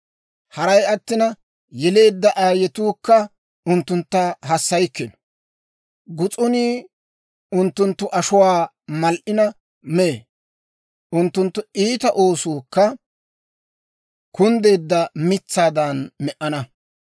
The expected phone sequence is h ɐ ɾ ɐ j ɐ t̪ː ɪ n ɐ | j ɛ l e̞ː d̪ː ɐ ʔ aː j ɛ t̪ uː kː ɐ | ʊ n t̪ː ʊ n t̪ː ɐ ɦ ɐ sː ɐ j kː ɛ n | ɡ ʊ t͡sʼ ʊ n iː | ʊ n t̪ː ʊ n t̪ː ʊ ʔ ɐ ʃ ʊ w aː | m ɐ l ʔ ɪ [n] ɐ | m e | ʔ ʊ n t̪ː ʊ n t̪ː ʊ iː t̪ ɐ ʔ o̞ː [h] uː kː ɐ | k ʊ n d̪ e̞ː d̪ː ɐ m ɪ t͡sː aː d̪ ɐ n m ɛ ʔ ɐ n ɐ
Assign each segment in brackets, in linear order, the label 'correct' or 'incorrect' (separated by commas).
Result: correct, incorrect